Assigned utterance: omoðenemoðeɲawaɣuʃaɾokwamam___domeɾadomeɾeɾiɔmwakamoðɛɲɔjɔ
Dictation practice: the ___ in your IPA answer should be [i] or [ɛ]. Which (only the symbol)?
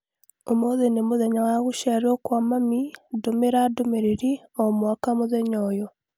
i